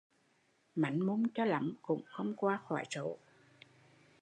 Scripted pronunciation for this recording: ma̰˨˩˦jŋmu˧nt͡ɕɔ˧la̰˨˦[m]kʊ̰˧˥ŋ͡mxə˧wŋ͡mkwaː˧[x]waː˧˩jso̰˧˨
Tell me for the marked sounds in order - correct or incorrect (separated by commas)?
correct, correct